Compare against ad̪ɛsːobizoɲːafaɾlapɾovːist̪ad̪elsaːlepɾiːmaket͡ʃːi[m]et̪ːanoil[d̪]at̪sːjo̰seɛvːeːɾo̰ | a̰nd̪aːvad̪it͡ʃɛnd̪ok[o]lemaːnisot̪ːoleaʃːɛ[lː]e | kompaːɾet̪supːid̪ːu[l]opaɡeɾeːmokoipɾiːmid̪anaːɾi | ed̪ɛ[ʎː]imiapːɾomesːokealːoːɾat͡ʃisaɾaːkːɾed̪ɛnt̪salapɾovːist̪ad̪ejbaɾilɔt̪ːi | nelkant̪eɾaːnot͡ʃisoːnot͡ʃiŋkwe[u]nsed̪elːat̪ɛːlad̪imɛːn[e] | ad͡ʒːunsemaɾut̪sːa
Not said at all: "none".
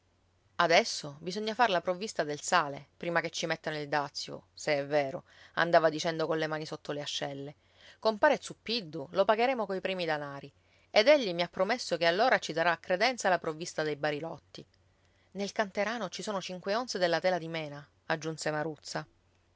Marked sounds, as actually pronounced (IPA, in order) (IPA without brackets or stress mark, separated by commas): m, d̪, o, lː, l, ʎː, o, a